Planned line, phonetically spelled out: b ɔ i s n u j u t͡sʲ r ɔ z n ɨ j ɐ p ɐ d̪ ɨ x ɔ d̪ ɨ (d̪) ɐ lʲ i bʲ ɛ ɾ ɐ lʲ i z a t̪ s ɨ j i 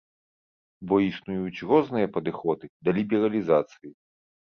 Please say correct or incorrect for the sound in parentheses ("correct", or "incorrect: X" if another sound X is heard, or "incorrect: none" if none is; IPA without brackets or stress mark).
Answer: correct